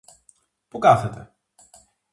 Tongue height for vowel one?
high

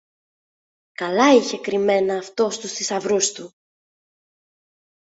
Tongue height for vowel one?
low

